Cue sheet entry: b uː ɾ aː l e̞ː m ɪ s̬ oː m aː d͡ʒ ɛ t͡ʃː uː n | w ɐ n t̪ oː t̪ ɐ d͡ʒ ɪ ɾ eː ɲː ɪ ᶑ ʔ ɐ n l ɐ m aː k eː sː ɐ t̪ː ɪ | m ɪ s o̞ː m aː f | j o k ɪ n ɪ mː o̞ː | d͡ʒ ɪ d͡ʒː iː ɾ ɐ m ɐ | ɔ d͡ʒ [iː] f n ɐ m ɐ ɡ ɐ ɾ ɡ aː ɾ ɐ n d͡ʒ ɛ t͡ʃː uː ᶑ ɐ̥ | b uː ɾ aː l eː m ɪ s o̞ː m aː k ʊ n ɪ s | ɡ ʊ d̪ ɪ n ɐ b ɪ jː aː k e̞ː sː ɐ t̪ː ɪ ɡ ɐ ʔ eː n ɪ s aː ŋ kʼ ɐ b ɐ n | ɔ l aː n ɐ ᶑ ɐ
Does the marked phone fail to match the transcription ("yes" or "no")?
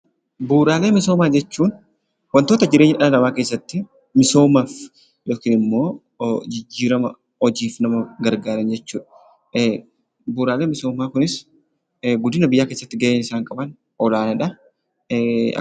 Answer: no